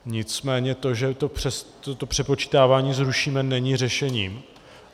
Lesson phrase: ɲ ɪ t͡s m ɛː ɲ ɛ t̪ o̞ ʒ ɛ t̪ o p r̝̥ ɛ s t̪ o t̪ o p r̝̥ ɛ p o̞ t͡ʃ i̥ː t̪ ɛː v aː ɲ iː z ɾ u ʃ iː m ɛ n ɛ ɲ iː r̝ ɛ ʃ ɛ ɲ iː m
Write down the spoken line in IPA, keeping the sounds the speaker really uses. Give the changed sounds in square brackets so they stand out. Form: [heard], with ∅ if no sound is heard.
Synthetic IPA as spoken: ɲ ɪ t͡s m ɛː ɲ ɛ t̪ o̞ ʒ ɛ t̪ o p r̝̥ ɛ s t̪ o t̪ o p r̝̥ ɛ p o̞ t͡ʃ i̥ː t̪ [aː] v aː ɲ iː z ɾ u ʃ iː m ɛ n ɛ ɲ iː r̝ ɛ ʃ ɛ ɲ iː m

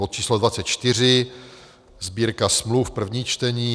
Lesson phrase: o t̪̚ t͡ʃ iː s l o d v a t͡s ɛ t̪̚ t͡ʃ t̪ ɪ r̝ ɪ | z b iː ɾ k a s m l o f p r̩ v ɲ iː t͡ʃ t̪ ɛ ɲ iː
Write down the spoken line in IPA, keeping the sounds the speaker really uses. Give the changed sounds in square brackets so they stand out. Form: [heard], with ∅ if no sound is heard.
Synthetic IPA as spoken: o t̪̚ t͡ʃ iː s l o d v a t͡s ɛ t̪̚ t͡ʃ t̪ ɪ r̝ ɪ | z b iː ɾ k a s m l [u] f p r̩ v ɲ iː t͡ʃ t̪ ɛ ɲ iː

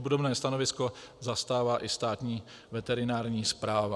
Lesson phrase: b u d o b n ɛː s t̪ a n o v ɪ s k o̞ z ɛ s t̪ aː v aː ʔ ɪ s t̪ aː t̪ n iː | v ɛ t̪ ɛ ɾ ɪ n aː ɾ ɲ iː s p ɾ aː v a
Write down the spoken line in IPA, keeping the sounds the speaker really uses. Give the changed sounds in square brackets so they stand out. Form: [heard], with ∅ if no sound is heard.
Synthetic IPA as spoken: b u d o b n ɛː s t̪ a n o v ɪ s k o̞ z [a] s t̪ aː v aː ʔ ɪ s t̪ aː t̪ [ɲ] iː | v ɛ t̪ ɛ ɾ ɪ n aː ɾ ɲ iː s p ɾ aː v a

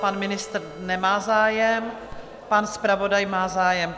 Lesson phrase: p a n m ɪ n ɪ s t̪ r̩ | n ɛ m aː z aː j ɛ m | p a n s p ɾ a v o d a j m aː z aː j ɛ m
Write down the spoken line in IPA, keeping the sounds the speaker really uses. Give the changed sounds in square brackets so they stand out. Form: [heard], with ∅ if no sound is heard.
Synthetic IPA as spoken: p a n m ɪ n ɪ s t̪ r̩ | n ɛ m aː z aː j ɛ m | p a n s p ɾ a v o d a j m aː z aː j ɛ m

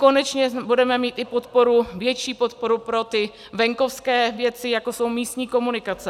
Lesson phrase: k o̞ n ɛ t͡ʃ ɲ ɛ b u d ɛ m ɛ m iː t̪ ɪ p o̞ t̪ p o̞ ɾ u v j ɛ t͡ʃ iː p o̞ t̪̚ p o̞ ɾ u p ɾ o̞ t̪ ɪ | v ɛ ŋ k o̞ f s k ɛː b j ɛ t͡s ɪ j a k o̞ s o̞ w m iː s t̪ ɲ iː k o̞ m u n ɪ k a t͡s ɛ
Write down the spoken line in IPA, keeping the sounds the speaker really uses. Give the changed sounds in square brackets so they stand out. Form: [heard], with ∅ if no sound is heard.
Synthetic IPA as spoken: k o̞ n ɛ t͡ʃ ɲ ɛ b u d ɛ m ɛ m iː t̪ ɪ p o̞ t̪ p o̞ ɾ u v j ɛ t͡ʃ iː p o̞ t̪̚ p o̞ ɾ u p ɾ o̞ t̪ ɪ | v ɛ ŋ k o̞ f s k ɛː [v] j ɛ t͡s ɪ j a k o̞ s o̞ w m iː s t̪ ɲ iː k o̞ m u n ɪ k a t͡s ɛ

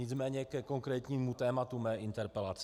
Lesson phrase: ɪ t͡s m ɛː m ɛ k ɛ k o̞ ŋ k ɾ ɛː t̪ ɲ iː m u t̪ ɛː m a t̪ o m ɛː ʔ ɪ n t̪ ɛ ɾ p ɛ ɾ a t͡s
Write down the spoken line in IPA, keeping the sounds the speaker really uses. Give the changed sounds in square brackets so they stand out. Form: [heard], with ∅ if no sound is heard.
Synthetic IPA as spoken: ɪ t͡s m ɛː [ɲ] ɛ k ɛ k o̞ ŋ k ɾ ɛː t̪ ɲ iː m u t̪ ɛː m a t̪ [u] m ɛː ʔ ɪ n t̪ ɛ ɾ p ɛ [l] a t͡s

